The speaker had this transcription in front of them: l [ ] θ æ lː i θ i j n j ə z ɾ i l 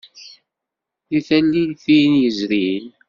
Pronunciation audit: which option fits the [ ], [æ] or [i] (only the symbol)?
i